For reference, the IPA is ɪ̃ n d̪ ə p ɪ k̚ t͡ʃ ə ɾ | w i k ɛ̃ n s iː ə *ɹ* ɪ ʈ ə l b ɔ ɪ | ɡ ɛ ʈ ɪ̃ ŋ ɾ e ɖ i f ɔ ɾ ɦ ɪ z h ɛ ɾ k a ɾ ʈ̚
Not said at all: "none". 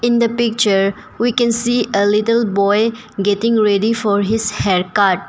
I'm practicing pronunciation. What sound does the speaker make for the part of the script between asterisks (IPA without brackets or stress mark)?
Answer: l